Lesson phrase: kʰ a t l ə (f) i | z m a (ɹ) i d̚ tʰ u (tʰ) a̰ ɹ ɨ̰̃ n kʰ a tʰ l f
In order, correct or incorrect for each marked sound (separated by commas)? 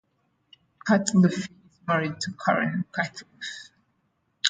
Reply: correct, correct, incorrect